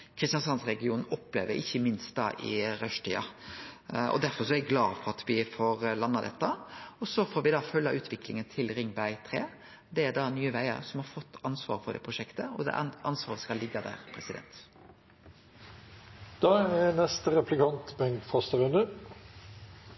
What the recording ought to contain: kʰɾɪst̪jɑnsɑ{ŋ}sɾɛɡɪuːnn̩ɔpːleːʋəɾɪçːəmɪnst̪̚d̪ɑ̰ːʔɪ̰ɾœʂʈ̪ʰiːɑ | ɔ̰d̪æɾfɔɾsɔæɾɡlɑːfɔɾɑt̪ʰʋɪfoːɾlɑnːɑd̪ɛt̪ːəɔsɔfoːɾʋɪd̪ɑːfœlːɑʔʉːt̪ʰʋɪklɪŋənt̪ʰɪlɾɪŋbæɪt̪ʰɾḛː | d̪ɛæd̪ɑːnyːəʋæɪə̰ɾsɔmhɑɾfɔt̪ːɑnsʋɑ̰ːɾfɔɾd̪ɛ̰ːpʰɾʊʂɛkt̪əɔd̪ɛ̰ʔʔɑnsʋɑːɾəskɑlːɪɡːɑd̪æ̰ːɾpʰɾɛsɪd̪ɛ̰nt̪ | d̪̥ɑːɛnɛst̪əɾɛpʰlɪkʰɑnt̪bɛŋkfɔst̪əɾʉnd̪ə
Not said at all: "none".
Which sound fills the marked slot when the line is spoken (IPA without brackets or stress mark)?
n